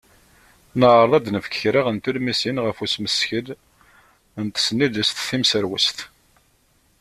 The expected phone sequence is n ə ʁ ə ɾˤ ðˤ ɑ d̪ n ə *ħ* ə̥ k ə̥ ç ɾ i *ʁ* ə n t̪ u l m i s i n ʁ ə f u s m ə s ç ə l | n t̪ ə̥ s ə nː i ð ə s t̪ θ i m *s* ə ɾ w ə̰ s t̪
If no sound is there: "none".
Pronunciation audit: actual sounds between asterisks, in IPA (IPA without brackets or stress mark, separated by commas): f, ʁ, s